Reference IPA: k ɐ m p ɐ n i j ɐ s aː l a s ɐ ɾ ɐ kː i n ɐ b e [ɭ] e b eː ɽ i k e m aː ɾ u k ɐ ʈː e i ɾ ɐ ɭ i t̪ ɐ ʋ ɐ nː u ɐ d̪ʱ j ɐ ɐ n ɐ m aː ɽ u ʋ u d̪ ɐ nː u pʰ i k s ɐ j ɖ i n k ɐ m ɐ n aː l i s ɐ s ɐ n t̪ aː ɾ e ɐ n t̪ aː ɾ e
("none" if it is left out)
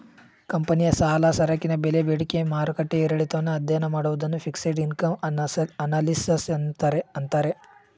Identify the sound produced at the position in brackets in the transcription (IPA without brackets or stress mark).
l